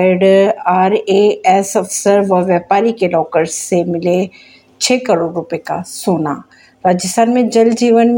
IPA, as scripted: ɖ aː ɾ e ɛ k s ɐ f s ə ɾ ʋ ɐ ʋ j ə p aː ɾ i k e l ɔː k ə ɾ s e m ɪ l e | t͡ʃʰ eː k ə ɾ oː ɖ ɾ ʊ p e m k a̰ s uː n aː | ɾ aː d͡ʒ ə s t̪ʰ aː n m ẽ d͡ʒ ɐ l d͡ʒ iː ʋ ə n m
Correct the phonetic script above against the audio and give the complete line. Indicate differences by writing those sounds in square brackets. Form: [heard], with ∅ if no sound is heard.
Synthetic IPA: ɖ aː ɾ e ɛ [∅] s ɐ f s ə ɾ ʋ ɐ ʋ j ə p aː ɾ i k e l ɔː k ə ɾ s e m ɪ l e | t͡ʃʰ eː k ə ɾ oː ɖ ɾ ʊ p e [∅] k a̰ s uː n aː | ɾ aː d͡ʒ ə s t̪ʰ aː n m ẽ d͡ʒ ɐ l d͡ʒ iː ʋ ə n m